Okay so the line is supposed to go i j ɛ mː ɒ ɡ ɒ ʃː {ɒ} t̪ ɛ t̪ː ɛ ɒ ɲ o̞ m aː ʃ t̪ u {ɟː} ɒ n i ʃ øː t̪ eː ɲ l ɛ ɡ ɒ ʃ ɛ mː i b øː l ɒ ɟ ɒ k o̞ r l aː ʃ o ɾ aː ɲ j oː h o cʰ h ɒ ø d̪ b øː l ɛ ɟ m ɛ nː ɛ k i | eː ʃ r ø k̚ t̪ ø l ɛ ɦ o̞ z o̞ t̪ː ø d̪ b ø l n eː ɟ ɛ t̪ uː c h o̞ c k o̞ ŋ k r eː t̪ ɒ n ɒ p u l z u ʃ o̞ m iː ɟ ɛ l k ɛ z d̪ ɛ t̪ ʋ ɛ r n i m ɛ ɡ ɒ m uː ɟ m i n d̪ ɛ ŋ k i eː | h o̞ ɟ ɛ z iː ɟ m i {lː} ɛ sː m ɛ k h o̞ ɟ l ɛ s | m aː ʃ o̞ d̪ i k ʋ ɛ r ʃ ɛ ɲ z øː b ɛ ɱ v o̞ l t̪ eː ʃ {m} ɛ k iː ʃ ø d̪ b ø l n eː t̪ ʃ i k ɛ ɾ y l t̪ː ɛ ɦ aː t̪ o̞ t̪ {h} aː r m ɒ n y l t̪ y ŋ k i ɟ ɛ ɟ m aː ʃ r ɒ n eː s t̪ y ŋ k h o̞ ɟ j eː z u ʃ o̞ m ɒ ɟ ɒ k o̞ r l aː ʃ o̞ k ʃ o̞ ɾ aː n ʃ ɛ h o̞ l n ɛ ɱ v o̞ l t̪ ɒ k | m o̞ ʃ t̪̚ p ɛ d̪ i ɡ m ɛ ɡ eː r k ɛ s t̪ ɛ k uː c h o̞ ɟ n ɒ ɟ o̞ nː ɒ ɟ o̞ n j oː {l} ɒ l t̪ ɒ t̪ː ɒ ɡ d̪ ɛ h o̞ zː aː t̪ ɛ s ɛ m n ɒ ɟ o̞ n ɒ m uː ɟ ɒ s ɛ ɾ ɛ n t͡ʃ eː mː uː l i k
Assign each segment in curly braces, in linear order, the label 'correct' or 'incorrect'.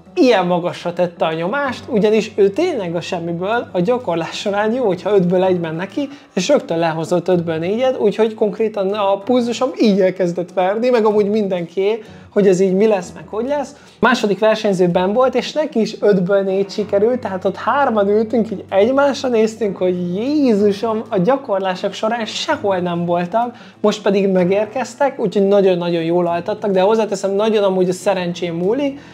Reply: correct, incorrect: ɟ, incorrect: l, incorrect: n, correct, correct

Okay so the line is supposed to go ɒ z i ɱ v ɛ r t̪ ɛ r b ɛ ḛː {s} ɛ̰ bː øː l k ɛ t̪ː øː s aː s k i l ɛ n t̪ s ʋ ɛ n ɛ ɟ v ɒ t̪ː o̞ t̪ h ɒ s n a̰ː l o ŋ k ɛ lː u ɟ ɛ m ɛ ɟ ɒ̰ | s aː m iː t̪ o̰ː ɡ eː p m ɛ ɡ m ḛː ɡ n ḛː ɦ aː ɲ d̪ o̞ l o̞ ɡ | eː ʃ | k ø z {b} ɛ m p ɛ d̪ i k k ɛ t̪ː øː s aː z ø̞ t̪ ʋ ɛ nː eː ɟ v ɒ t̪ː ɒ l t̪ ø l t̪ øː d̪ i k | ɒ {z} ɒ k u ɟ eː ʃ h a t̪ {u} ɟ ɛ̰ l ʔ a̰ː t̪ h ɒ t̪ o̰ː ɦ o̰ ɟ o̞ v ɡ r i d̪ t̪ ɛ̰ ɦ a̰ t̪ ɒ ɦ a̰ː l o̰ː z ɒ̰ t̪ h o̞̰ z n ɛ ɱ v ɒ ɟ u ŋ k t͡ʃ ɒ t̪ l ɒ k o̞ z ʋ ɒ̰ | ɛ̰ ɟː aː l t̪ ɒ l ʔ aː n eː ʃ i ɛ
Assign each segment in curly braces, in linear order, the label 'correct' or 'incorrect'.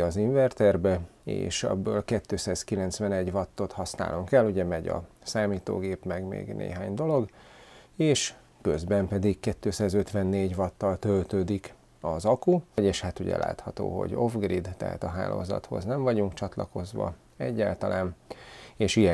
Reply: incorrect: ʃ, correct, correct, correct

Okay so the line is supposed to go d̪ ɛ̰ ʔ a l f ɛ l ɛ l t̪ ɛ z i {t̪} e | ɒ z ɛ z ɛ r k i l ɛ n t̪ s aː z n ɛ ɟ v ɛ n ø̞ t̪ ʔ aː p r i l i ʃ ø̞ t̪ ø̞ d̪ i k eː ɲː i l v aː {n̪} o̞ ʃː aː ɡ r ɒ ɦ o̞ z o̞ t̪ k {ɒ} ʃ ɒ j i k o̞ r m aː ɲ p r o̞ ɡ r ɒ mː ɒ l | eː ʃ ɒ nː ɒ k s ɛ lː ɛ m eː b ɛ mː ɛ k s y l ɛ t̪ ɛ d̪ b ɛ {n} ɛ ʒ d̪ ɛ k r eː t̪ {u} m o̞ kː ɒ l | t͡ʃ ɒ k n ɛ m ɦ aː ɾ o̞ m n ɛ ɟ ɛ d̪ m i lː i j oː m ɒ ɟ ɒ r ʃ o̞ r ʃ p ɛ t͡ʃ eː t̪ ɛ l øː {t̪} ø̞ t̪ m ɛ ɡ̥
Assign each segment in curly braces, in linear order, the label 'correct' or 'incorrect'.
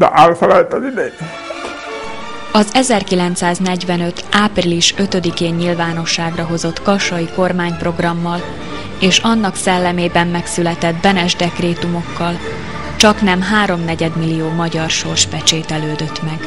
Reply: incorrect: d̪, correct, correct, correct, correct, incorrect: d̪

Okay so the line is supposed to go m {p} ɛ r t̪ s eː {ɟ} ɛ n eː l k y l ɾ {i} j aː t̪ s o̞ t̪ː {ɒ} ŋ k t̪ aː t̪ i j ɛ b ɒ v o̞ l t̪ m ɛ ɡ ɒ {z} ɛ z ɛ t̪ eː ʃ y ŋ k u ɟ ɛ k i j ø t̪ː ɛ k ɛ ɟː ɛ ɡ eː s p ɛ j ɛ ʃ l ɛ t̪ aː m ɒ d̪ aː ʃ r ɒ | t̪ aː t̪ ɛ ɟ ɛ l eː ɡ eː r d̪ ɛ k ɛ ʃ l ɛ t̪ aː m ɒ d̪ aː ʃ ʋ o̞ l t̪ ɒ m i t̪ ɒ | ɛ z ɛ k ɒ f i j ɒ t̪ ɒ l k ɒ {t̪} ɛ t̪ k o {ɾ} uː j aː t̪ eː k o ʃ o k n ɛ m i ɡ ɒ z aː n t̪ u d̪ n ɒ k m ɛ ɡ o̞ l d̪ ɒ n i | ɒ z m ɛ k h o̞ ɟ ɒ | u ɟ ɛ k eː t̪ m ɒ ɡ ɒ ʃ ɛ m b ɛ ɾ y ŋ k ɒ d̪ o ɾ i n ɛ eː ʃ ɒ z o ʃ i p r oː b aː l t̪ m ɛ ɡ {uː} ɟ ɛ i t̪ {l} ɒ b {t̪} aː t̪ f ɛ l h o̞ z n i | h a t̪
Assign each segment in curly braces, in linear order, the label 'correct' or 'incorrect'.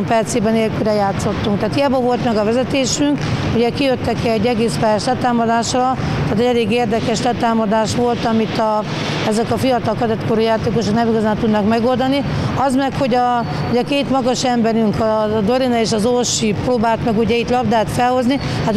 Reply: correct, incorrect: b, incorrect: ɛ, incorrect: u, incorrect: v, incorrect: d̪, correct, incorrect: u, correct, incorrect: d̪

